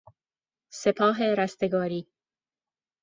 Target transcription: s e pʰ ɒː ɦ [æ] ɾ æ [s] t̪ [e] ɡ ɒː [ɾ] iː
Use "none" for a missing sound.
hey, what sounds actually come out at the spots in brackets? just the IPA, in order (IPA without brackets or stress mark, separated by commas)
e, s, e, ɾ